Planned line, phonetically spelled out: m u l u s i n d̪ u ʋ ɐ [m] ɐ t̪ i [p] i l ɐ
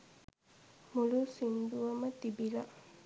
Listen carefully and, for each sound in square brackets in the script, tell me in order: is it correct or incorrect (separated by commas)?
correct, incorrect